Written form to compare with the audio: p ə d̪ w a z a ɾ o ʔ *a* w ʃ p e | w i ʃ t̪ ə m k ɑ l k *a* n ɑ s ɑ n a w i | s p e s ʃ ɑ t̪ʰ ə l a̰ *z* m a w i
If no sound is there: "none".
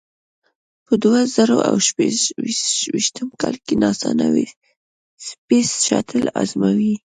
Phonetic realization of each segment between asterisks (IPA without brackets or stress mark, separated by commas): a, e, z